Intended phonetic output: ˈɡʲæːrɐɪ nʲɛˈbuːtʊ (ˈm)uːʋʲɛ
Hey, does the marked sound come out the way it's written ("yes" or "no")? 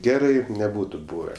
no